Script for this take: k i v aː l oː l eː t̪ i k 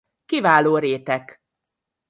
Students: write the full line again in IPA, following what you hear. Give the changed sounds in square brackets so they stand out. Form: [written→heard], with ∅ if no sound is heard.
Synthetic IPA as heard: k i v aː l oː [l→ɾ] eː t̪ [i→ɛ] k